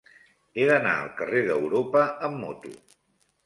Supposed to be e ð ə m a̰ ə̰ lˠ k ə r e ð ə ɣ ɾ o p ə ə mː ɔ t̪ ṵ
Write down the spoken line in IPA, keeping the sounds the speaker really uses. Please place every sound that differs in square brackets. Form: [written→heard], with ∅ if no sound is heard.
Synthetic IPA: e ð ə [m→n] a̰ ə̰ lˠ k ə r e ð ə [ɣ→w] ɾ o p ə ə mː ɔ t̪ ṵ